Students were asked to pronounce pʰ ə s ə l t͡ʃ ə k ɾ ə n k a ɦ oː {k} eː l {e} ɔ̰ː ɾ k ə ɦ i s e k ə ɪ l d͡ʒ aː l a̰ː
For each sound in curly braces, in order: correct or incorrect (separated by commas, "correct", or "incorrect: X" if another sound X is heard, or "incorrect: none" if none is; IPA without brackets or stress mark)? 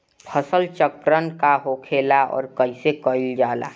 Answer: incorrect: kʰ, incorrect: a